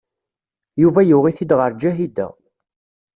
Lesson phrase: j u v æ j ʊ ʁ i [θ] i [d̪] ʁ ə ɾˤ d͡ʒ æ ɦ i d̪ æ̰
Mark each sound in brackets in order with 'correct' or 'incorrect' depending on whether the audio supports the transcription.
correct, correct

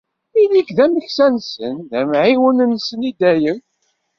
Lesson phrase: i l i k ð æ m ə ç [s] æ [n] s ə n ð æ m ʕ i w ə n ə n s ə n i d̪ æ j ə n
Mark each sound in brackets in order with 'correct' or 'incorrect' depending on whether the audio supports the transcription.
correct, correct

